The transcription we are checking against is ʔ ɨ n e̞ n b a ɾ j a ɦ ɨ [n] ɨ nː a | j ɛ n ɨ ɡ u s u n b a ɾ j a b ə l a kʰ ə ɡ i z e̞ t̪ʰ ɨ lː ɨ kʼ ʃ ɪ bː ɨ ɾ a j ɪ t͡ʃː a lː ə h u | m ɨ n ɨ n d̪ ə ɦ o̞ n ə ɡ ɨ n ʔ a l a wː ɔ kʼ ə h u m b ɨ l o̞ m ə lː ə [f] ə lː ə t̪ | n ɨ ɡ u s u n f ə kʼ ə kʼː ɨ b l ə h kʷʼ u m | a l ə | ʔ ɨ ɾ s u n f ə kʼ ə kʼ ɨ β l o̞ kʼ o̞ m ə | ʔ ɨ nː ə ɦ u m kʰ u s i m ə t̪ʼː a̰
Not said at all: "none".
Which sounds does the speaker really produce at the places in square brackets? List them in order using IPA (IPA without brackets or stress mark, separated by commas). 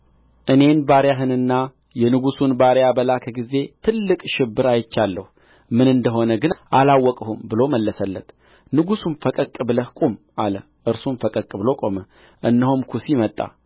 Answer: n, s